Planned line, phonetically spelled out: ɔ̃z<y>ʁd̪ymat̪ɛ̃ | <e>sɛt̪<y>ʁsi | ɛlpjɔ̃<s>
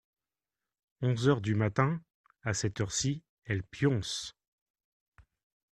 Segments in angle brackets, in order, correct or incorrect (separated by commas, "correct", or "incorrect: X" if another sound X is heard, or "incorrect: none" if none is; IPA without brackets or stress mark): incorrect: œ, incorrect: a, incorrect: œ, correct